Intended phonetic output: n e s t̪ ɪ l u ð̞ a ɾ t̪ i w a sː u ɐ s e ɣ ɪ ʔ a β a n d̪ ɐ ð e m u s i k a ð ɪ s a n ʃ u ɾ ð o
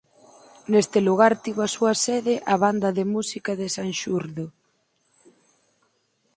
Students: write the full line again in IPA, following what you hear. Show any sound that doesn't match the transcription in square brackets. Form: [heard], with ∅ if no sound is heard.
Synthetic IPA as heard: n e s t̪ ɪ l u [ɣ̞] a ɾ t̪ i [β] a [s] u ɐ s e [ð] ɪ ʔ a β a n d̪ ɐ ð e m u s i k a ð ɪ s a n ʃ u ɾ ð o